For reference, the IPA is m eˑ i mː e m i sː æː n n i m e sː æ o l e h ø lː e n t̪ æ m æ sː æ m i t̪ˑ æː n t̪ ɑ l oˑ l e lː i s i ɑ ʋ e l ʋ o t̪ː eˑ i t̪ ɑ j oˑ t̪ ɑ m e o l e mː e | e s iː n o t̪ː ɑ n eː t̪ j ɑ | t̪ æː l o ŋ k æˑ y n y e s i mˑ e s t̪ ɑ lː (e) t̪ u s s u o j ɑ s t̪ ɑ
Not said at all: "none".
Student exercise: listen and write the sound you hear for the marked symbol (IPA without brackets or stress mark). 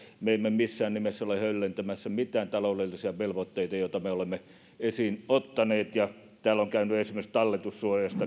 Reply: e